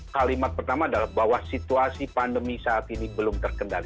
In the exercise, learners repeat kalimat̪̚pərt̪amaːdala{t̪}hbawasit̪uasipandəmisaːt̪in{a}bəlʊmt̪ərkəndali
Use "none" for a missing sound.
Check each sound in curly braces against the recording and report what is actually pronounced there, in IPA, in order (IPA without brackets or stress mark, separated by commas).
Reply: none, i